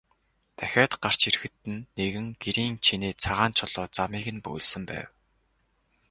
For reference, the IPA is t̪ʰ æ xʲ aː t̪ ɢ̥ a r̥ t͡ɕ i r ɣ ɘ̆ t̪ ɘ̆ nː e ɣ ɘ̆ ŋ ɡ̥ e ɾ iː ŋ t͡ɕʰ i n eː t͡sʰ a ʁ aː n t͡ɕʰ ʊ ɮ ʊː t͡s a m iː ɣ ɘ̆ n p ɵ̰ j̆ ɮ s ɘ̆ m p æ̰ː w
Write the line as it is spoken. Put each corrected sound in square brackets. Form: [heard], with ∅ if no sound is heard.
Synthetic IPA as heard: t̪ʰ æ xʲ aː t̪ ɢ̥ a r̥ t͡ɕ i r [x] ɘ̆ t̪ ɘ̆ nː e ɣ ɘ̆ ŋ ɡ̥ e ɾ iː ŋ t͡ɕʰ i n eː t͡sʰ a ʁ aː n t͡ɕʰ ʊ ɮ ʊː t͡s a m iː ɣ ɘ̆ n p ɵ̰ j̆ ɮ s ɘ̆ m p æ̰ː w